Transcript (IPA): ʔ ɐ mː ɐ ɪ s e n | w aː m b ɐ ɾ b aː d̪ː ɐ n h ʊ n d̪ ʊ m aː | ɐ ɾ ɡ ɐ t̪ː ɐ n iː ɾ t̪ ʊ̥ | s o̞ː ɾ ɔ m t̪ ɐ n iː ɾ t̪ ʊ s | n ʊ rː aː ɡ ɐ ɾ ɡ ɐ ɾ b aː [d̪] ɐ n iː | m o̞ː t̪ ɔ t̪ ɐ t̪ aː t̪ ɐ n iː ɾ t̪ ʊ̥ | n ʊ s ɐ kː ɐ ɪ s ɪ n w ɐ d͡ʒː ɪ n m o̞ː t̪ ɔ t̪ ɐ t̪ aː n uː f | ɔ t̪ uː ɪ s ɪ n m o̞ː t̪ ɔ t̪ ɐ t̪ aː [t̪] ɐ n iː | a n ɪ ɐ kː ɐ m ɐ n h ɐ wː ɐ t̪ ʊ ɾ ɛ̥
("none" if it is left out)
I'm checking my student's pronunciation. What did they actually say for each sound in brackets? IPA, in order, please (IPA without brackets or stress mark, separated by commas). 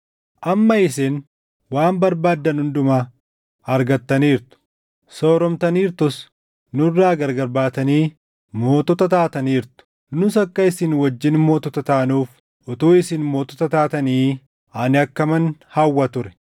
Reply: t̪, t̪